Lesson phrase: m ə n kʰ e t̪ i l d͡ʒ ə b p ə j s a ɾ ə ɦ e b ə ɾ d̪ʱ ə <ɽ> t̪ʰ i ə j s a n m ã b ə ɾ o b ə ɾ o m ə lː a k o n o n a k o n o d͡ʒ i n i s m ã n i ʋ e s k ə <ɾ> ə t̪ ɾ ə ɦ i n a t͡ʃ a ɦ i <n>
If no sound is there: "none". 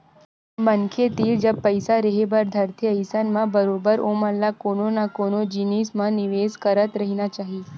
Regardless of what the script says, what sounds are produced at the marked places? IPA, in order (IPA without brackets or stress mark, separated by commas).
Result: ɾ, ɾ, none